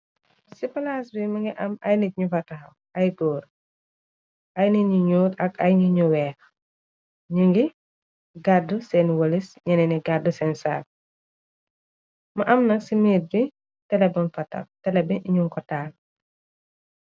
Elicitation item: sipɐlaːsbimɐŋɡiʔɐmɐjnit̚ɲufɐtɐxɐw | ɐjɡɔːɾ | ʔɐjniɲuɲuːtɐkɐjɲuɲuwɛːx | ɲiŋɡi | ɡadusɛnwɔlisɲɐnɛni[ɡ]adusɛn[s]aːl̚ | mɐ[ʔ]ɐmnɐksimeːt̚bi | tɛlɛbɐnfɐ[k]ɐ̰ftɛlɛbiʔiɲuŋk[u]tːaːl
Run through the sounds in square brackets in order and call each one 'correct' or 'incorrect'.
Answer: correct, correct, correct, incorrect, incorrect

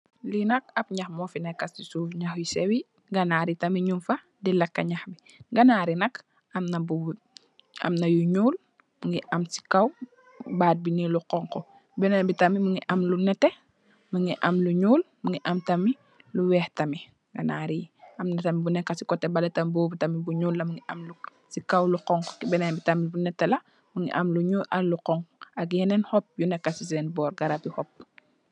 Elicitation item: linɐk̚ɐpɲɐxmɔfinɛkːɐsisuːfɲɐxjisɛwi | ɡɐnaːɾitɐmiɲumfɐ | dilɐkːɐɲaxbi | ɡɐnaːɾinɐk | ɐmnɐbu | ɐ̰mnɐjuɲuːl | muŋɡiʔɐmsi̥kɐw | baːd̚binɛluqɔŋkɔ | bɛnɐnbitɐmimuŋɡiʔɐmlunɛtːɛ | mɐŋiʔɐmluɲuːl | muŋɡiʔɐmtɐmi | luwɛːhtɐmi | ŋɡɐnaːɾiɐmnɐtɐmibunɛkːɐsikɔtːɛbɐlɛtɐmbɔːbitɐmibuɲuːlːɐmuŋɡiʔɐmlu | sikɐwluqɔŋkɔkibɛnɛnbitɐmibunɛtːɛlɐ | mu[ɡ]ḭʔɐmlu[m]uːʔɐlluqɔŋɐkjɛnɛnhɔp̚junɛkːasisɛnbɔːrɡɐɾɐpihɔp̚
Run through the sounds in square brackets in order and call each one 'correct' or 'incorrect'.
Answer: incorrect, incorrect

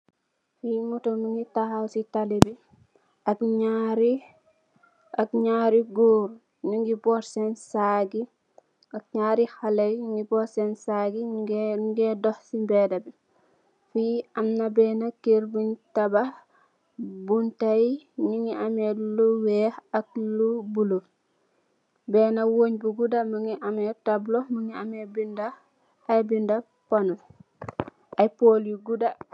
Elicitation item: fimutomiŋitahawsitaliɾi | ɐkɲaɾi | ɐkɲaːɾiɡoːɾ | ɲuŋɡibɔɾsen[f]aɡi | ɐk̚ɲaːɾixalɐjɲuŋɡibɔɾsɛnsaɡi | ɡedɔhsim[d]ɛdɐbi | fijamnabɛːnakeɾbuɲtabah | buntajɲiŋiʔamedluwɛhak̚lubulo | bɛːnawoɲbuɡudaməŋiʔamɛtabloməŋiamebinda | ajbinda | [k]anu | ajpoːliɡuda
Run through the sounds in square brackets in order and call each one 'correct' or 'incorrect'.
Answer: incorrect, incorrect, incorrect

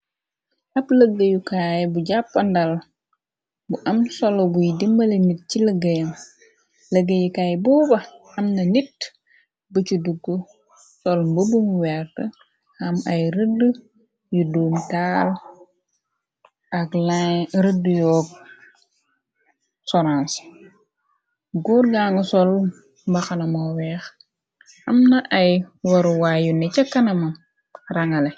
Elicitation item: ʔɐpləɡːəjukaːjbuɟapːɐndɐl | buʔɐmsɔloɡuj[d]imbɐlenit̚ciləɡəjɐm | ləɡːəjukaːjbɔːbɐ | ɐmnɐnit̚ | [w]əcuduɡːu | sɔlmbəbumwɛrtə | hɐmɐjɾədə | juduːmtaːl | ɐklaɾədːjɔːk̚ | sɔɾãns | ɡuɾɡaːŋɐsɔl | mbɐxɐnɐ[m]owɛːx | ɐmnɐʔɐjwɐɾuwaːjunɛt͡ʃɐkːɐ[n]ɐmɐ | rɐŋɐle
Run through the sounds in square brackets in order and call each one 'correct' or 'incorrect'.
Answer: correct, incorrect, correct, correct

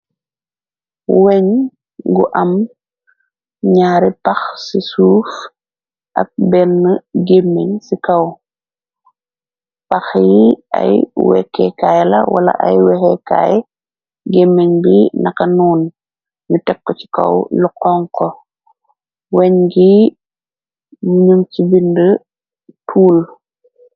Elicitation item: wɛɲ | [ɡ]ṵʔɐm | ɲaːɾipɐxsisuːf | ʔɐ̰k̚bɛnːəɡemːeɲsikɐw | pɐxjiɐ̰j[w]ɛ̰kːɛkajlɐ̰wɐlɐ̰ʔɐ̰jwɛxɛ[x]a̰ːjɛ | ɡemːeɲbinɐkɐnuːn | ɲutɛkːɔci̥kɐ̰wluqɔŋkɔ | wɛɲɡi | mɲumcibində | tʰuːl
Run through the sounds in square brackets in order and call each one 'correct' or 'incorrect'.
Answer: correct, correct, incorrect

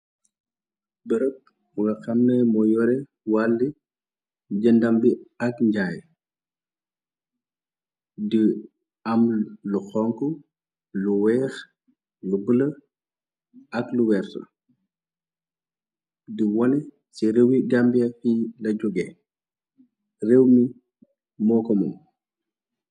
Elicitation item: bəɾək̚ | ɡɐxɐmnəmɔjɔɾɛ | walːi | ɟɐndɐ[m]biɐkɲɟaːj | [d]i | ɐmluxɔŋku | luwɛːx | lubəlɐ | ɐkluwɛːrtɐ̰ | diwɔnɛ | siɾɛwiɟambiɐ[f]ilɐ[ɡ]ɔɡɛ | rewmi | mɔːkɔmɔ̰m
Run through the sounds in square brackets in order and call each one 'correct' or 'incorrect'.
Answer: correct, correct, correct, incorrect

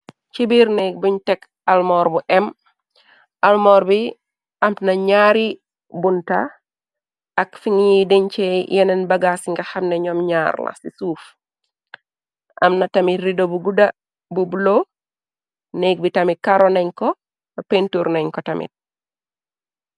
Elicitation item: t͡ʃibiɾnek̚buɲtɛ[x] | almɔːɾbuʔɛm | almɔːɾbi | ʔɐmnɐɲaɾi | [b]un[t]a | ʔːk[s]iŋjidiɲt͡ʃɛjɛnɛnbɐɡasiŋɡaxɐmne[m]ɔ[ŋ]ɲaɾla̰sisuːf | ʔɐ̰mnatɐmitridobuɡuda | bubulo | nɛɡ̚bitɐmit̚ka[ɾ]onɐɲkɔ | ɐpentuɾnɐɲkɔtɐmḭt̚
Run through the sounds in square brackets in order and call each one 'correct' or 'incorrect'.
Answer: incorrect, correct, correct, incorrect, incorrect, incorrect, correct

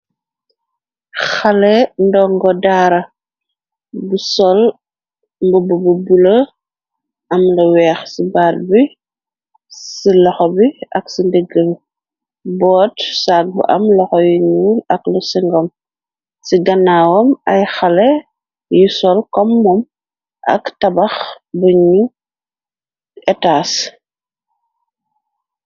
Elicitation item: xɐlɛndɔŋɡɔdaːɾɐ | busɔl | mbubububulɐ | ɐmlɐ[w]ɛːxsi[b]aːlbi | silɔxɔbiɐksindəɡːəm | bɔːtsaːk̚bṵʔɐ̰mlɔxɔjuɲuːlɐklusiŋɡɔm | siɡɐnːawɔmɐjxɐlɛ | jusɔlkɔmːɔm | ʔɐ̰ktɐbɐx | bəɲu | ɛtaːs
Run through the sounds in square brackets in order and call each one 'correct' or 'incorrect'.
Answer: correct, correct

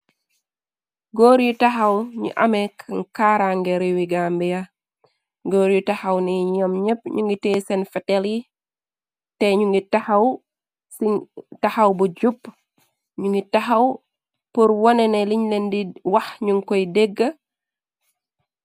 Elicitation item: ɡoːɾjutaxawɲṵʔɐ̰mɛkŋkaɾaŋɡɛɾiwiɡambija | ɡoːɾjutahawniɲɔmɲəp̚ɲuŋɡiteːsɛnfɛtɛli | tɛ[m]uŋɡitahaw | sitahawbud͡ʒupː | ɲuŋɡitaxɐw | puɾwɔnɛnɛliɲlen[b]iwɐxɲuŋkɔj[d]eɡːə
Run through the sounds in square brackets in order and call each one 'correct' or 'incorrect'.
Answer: incorrect, incorrect, correct

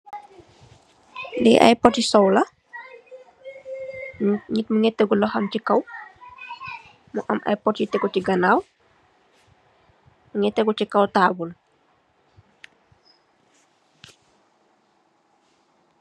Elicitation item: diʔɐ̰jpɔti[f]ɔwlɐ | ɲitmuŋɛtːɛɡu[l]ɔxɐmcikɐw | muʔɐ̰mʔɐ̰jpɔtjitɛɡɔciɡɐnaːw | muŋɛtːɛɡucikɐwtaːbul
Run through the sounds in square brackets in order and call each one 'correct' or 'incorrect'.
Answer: incorrect, correct

